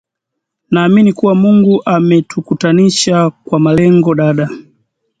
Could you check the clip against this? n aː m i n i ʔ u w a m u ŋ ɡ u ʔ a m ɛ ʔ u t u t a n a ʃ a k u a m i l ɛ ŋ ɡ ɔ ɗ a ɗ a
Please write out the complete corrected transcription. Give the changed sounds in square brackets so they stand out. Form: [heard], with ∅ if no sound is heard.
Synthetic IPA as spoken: n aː m i n i [k] u w a m u ŋ ɡ u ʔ a m ɛ [t] u [k] u t a n [i] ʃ a k [w] a m [a] l ɛ ŋ ɡ ɔ ɗ a ɗ a